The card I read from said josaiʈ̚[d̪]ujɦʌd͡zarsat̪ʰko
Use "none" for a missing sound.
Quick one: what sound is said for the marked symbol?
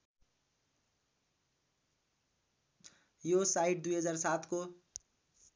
d̪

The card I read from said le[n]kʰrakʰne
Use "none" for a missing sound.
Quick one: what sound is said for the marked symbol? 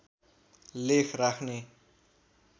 none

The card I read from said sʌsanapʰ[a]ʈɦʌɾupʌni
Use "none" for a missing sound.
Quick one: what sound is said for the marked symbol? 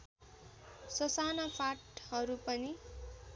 a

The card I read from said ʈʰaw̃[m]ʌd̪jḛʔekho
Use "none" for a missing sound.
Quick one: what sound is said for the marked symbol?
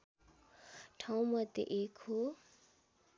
m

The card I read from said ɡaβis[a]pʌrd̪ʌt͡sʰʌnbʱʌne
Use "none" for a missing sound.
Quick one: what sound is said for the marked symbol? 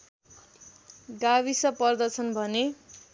ʌ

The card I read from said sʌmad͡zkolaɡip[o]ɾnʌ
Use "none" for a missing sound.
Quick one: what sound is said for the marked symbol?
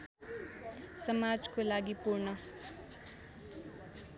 u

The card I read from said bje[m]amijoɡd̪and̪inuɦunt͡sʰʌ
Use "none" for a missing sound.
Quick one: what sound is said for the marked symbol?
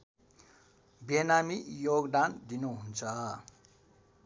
n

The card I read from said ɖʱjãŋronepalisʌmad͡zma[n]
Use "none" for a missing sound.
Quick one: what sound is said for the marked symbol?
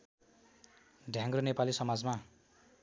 none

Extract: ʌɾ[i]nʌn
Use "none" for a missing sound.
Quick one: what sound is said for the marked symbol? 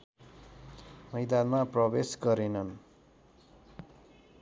e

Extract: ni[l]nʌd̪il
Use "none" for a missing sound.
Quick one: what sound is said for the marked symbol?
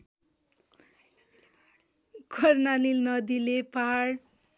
l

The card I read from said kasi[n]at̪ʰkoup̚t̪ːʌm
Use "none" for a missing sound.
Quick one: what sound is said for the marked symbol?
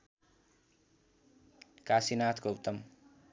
n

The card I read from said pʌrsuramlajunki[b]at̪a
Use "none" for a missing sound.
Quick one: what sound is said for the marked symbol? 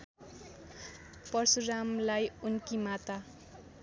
m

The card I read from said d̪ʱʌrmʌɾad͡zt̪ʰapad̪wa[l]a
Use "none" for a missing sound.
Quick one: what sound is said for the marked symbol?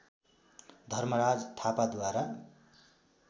ɾ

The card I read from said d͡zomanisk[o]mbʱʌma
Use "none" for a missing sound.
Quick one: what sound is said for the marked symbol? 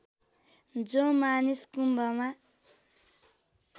u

